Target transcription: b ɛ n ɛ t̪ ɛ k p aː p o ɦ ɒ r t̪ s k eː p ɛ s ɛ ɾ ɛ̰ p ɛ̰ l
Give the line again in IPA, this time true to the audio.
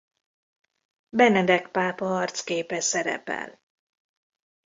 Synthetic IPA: b ɛ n ɛ d̪ ɛ k p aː p ɒ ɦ ɒ r t̪ s k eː p ɛ s ɛ ɾ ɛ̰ p ɛ̰ l